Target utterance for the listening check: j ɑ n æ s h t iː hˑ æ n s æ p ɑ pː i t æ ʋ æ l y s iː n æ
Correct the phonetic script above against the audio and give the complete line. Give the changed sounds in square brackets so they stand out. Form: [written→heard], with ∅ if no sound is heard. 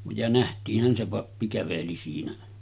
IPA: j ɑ n æ [s→∅] h t iː hˑ æ n s [æ→e] p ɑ pː i [t→k] æ ʋ [æ→e] l [y→i] s iː n æ